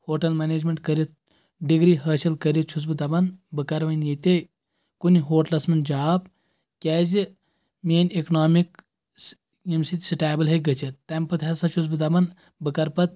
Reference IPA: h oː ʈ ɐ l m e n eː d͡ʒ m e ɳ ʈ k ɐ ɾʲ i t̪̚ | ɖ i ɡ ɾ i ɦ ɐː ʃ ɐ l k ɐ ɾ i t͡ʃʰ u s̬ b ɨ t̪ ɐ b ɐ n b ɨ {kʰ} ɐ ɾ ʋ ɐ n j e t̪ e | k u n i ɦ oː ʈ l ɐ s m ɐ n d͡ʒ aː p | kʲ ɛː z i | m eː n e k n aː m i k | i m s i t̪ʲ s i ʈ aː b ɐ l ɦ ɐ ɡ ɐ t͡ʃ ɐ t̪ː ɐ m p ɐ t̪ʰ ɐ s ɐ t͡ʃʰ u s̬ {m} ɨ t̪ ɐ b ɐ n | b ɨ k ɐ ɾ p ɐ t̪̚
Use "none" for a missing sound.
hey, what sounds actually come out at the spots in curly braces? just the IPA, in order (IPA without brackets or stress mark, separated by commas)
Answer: k, b